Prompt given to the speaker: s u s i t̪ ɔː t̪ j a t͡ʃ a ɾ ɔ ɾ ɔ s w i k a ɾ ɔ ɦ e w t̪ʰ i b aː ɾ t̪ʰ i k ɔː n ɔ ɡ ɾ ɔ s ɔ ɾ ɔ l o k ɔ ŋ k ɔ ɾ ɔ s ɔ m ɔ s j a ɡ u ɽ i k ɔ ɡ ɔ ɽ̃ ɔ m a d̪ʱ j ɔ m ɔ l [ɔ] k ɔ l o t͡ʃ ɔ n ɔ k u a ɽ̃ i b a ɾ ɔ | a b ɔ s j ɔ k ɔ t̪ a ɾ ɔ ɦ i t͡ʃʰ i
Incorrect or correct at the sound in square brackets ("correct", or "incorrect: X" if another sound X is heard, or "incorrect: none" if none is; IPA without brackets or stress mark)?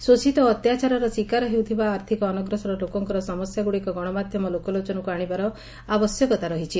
incorrect: o